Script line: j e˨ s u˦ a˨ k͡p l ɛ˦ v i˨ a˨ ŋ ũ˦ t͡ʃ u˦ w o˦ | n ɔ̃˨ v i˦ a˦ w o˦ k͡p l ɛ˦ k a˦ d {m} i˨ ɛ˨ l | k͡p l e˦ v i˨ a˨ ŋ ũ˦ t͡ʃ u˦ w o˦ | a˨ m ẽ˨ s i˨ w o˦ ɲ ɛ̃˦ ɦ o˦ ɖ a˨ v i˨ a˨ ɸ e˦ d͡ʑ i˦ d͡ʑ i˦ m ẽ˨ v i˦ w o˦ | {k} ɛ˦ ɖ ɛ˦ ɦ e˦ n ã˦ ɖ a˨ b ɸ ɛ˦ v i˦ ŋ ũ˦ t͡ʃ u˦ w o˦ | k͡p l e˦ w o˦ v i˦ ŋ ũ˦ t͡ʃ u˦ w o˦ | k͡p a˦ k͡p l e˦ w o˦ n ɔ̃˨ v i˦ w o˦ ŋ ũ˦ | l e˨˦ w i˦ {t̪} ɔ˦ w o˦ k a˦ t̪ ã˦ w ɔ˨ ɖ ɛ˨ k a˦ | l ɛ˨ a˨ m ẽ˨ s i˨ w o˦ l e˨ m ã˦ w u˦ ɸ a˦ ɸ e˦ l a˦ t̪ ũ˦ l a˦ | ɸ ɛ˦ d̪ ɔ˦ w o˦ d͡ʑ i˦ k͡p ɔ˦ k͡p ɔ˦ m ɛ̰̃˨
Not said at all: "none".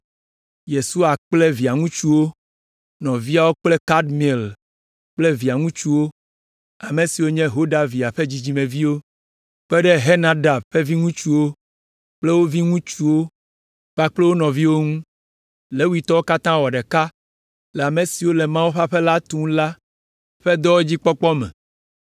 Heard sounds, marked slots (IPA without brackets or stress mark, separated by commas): m, k͡p, t̪